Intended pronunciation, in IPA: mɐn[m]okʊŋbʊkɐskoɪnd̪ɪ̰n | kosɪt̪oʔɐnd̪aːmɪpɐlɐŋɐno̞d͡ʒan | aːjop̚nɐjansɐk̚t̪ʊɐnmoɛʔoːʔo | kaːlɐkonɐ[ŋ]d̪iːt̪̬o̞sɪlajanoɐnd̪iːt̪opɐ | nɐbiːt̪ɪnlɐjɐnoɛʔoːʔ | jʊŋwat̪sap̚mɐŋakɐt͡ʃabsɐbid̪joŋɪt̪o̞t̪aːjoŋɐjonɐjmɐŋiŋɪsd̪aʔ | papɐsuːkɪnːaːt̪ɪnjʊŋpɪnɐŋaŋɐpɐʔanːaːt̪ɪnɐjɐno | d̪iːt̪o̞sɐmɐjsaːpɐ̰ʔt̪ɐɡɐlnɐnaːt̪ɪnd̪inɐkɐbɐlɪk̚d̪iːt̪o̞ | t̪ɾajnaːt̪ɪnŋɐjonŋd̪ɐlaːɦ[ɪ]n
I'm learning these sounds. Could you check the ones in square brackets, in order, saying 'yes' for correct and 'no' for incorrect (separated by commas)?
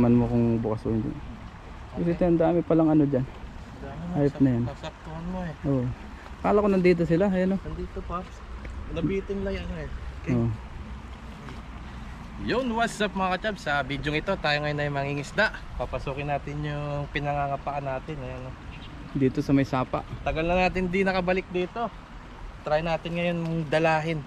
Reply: yes, no, yes